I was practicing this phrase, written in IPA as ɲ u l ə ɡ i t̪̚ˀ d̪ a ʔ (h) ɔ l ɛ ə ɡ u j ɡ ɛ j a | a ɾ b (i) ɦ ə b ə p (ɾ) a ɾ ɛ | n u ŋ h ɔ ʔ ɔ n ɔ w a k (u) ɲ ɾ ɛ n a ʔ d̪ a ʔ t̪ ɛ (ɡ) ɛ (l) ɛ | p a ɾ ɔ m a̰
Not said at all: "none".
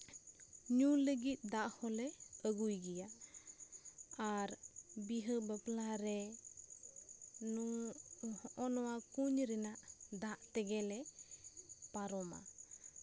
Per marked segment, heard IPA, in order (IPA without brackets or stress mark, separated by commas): h, i, l, u, ɡ, l